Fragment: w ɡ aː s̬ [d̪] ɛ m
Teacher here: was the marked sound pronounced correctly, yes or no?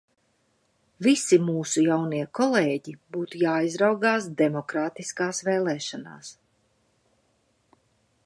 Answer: yes